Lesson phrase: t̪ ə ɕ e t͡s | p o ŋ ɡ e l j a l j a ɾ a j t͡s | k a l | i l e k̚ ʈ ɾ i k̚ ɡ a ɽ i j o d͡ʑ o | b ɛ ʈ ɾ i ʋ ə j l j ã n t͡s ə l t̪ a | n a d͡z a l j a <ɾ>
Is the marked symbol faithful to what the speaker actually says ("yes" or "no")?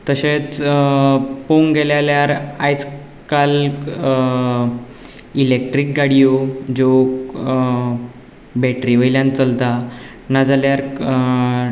yes